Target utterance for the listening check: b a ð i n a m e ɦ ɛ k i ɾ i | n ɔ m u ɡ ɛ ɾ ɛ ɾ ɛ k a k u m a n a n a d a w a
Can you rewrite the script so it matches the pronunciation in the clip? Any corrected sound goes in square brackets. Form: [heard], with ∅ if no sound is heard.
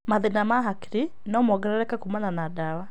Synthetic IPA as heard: [m] a ð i n a m [a] ɦ [a] k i ɾ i | n ɔ m [ɔ] ɡ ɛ ɾ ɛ ɾ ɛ k a k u m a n a n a d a w a

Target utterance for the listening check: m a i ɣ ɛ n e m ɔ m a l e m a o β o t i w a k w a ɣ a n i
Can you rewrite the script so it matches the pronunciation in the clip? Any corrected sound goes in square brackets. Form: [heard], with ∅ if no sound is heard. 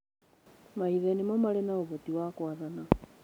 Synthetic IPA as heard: m a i [ð] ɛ n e m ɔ m a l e [n] a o β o t i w a k w a [ð] a n [a]

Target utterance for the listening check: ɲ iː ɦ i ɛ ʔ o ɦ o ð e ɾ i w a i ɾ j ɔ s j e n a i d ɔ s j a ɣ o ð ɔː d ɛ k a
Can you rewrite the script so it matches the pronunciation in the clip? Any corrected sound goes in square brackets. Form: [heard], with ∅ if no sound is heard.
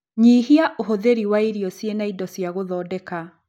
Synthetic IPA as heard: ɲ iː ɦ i [a] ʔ o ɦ o ð e ɾ i w a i ɾ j ɔ s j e n a i d ɔ s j a ɣ o ð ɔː d ɛ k a

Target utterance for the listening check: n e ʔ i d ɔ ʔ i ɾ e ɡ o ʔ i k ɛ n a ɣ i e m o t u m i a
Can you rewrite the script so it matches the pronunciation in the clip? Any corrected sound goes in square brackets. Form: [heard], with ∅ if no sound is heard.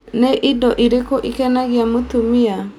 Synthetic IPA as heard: n e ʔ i d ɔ ʔ i ɾ e [k] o ʔ i k ɛ n a ɣ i [a] m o t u m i a

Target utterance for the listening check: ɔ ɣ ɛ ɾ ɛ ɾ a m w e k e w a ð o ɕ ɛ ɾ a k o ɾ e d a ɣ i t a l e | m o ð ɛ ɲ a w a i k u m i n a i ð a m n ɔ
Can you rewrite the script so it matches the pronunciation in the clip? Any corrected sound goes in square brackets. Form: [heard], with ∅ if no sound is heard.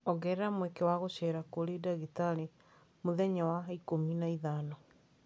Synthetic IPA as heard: ɔ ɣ ɛ ɾ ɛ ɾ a m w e k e w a [ɣ] o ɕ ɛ ɾ a k o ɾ e d a ɣ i t a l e | m o ð ɛ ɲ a w a i k [o] m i n a i ð a [∅] n ɔ

